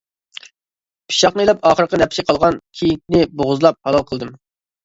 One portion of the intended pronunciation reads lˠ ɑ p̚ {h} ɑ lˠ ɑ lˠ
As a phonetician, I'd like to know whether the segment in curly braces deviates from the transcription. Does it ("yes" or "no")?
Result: no